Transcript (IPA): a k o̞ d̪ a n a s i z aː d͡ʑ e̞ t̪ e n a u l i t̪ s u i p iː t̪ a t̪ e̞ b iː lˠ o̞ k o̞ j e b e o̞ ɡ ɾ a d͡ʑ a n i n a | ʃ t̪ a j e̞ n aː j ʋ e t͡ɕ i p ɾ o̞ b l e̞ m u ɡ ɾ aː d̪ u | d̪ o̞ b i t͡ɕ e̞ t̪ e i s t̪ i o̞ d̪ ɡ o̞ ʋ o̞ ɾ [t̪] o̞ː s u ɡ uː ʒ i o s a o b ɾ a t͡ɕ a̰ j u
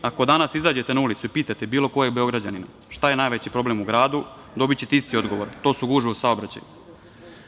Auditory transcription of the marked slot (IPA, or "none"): t̪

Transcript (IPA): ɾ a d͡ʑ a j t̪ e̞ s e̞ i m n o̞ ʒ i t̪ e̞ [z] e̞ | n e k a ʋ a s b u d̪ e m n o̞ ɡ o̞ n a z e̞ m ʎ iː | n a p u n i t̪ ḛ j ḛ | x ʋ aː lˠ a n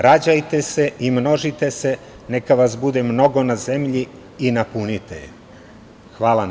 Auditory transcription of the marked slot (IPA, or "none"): s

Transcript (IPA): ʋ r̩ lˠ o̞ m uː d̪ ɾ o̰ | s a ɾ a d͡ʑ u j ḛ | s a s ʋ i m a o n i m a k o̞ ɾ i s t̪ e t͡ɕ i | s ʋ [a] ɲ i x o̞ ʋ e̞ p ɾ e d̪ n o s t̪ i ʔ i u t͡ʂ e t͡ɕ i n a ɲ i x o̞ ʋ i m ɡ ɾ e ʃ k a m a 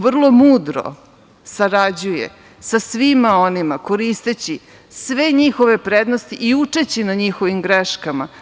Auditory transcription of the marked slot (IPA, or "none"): e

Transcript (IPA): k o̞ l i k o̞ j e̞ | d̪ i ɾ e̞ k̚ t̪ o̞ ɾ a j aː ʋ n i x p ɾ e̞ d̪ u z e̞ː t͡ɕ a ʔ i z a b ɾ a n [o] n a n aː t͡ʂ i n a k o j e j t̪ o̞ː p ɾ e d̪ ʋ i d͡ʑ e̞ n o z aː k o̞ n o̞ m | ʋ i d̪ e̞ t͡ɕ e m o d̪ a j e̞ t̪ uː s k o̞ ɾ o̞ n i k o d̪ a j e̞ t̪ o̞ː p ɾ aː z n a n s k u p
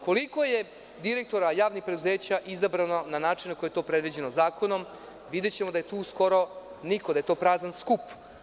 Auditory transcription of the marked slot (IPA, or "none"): o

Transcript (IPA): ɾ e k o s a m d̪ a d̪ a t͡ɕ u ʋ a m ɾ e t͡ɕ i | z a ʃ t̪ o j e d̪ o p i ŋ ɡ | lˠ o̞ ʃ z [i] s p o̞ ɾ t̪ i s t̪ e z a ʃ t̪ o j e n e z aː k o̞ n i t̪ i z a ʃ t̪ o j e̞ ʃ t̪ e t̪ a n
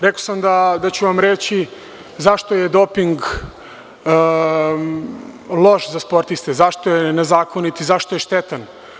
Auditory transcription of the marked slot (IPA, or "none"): a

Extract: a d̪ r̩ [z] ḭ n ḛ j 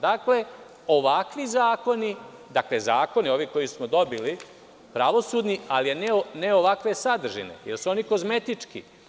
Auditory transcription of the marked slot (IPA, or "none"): ʒ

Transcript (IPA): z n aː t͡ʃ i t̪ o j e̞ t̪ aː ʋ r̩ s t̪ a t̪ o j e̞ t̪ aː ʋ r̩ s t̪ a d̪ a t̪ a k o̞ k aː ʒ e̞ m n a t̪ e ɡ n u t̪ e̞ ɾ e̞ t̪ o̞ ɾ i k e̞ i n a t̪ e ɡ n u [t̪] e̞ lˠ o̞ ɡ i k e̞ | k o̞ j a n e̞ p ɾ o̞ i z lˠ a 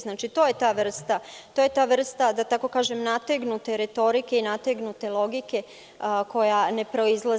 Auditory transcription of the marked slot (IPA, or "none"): t̪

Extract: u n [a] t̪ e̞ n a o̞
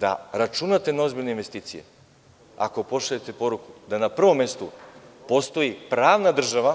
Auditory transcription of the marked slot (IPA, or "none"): a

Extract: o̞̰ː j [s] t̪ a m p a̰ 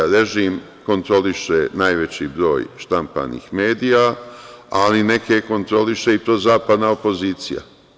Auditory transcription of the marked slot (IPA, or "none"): ʃ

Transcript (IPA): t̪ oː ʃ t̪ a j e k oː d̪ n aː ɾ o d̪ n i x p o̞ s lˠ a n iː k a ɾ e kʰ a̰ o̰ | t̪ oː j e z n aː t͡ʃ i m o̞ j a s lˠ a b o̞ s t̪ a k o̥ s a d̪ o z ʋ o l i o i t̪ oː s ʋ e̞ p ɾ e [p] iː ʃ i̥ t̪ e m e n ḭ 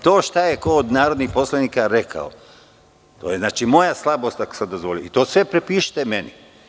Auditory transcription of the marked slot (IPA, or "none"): p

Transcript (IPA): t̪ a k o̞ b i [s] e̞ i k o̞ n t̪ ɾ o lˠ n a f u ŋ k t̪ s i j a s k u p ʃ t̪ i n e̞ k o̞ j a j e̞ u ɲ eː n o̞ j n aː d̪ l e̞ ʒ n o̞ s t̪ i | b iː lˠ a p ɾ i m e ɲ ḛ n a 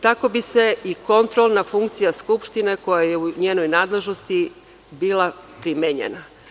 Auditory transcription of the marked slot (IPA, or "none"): s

